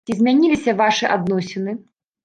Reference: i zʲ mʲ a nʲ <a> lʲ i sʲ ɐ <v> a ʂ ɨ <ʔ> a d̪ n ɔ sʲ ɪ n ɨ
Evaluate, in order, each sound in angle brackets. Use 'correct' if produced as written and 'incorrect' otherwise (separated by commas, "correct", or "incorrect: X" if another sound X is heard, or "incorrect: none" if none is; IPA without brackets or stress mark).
incorrect: i, correct, correct